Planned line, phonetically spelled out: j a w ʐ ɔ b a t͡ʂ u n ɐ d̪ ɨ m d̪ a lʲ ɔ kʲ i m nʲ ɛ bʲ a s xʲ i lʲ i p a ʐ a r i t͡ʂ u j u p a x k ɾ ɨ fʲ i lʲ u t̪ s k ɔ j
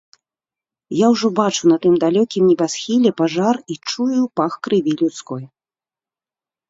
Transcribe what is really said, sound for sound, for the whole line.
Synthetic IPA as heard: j a w ʐ ɔ b a t͡ʂ u n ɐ t̪ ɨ m d̪ a lʲ ɔ kʲ i m nʲ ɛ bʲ a s xʲ i lʲ ɛ p a ʐ a r i t͡ʂ u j u p a x k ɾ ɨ vʲ i lʲ u t̪ s k ɔ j